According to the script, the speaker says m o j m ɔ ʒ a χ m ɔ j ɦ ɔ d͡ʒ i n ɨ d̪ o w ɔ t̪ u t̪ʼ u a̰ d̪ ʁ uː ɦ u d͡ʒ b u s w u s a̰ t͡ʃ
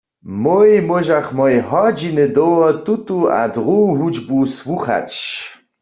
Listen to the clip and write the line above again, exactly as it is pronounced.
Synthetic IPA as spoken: m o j m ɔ ʒ a χ m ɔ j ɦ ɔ d͡ʒ i n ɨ d̪ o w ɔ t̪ u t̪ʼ u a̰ d̪ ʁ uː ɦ u d͡ʒ b u s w u χ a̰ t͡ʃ